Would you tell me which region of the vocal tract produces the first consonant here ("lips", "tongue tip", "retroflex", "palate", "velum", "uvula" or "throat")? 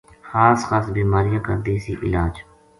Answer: velum